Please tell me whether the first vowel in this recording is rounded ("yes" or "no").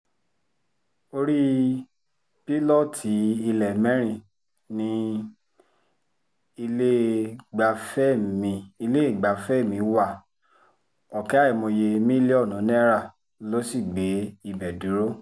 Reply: yes